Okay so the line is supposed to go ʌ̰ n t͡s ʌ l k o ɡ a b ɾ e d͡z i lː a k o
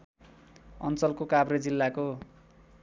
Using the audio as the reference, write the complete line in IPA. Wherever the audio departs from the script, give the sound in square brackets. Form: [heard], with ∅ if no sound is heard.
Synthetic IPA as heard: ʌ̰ n t͡s ʌ l k o [k] a b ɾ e d͡z i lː a k o